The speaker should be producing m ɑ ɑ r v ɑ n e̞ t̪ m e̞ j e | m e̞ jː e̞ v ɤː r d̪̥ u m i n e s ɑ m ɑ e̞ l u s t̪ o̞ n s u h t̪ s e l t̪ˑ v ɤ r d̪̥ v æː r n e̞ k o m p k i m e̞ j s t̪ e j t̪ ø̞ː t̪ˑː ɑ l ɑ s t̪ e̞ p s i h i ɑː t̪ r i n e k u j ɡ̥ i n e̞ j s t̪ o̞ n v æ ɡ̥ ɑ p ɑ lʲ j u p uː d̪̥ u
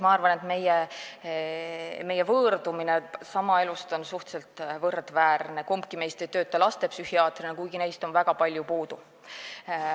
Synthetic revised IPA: m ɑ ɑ r v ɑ n e̞ t̪ m e̞ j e | m e̞ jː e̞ v ɤː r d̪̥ u m i n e s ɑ m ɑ e̞ l u s t̪ o̞ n s u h t̪ s e l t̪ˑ v ɤ r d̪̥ v æː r n e̞ k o m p k i m e̞ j s t̪ e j t̪ ø̞ː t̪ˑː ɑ l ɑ s t̪ e̞ p s y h i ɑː t̪ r i n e k u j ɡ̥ i n e̞ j s t̪ o̞ n v æ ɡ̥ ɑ p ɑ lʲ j u p uː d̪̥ u